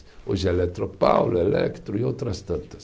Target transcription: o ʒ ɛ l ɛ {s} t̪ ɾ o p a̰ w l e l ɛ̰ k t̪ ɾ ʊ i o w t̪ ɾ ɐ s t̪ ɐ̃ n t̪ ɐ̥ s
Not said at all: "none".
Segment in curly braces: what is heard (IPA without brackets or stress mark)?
none